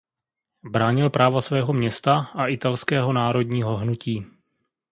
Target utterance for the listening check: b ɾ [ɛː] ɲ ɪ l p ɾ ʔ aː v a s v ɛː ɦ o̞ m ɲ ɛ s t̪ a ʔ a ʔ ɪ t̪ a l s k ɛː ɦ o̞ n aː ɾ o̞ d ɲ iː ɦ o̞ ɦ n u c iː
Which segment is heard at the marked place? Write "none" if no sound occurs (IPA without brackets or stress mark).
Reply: aː